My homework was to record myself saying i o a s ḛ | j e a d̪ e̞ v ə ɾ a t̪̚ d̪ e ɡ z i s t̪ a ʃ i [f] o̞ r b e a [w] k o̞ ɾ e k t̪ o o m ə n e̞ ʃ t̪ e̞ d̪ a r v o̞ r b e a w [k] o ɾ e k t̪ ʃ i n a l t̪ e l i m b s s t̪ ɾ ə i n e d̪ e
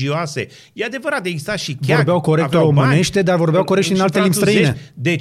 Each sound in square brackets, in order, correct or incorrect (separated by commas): incorrect, correct, correct